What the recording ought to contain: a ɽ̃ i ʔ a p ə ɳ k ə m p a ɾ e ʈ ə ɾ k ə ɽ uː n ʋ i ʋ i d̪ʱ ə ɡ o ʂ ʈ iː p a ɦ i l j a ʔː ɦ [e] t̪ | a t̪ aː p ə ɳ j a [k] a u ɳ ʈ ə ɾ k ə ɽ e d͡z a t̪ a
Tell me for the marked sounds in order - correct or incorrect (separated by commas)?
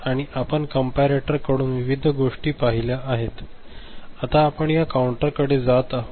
correct, correct